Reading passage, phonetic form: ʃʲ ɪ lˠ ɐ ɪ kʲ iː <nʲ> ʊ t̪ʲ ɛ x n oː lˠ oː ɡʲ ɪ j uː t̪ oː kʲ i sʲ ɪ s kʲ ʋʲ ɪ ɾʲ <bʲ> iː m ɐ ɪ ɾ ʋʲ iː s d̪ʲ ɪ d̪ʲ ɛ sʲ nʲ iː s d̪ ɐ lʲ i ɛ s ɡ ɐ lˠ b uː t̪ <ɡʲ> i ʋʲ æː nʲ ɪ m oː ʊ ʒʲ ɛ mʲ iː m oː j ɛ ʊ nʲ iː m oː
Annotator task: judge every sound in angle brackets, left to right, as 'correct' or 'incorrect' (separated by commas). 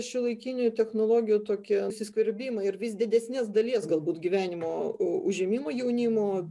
correct, correct, correct